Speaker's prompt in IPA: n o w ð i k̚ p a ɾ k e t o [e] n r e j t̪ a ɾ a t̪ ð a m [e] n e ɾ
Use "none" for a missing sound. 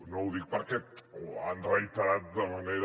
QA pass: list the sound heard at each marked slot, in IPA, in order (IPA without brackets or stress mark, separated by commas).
a, a